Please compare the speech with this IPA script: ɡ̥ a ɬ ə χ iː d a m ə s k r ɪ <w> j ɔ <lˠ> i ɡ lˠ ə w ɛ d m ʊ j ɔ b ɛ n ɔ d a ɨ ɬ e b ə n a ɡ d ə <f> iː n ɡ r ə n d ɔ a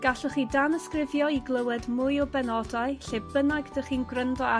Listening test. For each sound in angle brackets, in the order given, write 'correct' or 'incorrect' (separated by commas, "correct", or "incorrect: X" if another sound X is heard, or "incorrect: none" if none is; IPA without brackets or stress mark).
incorrect: v, incorrect: none, incorrect: χ